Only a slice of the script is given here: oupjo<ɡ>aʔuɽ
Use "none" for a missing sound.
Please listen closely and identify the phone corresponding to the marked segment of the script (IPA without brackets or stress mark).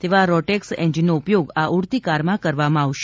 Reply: ɡ